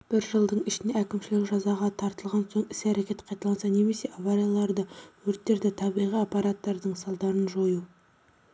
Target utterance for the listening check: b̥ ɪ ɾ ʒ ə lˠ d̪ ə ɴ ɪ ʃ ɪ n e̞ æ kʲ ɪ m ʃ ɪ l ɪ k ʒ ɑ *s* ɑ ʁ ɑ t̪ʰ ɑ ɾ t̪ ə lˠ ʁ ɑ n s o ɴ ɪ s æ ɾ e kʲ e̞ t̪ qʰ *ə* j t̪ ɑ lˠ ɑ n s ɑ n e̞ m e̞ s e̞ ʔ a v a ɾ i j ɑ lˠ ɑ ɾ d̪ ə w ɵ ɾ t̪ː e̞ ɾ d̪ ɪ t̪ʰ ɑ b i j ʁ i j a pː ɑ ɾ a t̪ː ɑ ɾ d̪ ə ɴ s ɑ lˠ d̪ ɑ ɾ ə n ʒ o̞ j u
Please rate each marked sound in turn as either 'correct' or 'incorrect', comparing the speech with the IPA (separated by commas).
incorrect, incorrect